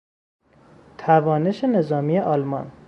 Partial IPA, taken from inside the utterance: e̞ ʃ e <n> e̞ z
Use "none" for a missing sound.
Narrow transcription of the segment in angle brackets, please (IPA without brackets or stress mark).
n